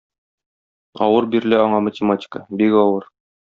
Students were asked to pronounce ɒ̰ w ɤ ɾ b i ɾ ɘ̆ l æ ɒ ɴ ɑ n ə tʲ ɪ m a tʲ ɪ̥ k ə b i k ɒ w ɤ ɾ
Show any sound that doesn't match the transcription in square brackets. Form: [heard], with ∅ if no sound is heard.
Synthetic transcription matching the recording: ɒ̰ w ɤ ɾ b i ɾ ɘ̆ l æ ɒ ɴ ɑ [m] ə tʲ ɪ m a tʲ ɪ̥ k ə b i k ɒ w ɤ ɾ